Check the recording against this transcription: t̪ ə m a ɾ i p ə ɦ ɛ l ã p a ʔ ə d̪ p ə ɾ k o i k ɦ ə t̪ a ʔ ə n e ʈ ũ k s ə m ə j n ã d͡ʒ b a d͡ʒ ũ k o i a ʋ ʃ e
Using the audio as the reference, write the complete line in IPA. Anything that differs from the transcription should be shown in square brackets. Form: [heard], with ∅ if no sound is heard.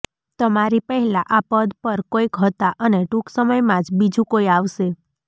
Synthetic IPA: t̪ ə m a ɾ i p ə ɦ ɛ l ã [ʔ] a [p] ə d̪ p ə ɾ k o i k ɦ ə t̪ a ʔ ə n e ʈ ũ k s ə m ə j [m] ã d͡ʒ b [i] d͡ʒ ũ k o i a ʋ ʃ e